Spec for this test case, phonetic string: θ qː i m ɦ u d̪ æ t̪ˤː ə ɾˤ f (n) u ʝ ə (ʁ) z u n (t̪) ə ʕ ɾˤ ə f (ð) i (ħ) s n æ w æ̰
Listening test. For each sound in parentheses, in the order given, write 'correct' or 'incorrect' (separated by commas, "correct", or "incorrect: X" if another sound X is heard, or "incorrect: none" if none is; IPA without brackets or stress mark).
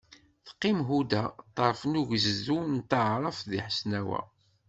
correct, incorrect: z, correct, correct, correct